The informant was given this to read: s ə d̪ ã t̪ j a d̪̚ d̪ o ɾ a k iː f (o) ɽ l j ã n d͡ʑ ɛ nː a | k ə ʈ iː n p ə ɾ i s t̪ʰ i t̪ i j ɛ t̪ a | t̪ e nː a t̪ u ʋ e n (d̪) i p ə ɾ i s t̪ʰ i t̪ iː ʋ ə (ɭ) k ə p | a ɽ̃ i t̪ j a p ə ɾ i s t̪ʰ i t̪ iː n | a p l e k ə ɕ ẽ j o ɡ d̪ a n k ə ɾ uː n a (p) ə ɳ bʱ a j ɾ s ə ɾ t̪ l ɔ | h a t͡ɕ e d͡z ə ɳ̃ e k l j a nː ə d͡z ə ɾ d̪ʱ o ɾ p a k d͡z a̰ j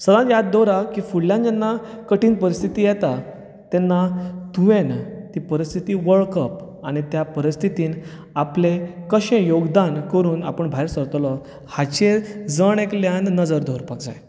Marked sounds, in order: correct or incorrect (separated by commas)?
incorrect, incorrect, correct, correct